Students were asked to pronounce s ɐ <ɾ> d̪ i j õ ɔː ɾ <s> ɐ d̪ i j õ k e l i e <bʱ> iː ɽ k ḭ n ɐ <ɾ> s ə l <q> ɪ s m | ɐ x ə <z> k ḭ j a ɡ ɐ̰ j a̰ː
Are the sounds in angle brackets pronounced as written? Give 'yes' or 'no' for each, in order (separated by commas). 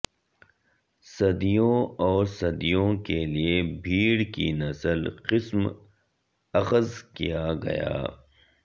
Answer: no, yes, yes, no, yes, yes